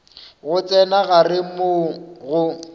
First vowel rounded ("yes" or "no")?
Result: yes